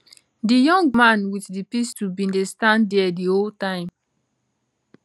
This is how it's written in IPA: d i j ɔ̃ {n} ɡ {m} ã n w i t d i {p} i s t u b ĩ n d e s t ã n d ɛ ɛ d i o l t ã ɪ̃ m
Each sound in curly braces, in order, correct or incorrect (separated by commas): incorrect, correct, correct